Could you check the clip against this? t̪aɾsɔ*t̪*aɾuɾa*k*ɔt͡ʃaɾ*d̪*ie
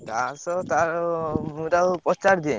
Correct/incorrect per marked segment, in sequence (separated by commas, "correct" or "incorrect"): correct, incorrect, correct